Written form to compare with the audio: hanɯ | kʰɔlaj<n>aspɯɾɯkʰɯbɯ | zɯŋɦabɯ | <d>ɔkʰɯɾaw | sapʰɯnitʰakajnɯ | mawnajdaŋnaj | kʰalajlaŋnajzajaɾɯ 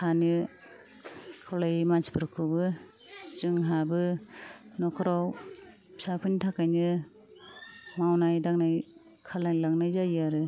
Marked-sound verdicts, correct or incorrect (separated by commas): incorrect, incorrect